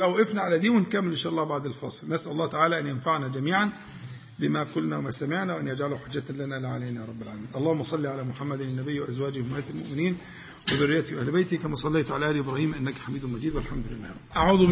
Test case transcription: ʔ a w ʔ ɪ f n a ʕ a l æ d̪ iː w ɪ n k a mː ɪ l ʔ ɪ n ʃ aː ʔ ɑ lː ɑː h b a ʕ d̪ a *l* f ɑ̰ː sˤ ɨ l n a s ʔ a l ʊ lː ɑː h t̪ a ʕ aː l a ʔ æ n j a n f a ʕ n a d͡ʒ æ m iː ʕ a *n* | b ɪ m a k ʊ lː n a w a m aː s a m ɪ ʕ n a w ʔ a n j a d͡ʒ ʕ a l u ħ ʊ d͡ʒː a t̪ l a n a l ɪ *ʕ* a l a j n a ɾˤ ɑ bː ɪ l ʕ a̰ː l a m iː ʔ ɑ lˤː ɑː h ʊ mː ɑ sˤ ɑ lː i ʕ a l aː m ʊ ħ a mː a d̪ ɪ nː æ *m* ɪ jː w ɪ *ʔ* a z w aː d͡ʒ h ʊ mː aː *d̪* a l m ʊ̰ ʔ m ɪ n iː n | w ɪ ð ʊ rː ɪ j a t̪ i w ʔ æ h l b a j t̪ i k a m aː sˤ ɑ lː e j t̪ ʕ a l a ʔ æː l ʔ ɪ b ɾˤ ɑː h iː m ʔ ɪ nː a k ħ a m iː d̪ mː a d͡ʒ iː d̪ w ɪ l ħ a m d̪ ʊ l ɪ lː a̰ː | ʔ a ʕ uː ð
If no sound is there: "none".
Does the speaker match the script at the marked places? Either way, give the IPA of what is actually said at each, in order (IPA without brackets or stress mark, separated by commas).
l, n, ʕ, b, ʔ, t̪